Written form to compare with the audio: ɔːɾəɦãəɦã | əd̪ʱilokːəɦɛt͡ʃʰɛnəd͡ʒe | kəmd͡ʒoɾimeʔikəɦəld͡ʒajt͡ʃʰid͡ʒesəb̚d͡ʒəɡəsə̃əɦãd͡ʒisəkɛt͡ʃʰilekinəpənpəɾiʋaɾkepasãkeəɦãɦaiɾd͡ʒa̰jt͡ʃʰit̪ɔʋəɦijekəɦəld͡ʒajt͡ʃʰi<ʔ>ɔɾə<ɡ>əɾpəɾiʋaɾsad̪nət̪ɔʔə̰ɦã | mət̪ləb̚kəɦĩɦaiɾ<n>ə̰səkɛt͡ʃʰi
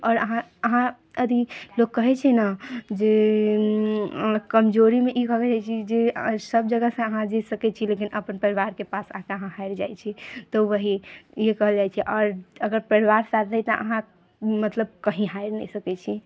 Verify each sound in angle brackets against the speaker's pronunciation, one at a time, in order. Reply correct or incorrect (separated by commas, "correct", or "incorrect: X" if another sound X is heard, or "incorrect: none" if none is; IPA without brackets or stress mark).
correct, correct, correct